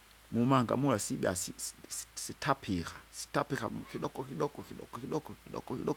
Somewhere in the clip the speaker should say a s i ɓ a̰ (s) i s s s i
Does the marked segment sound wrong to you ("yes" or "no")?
no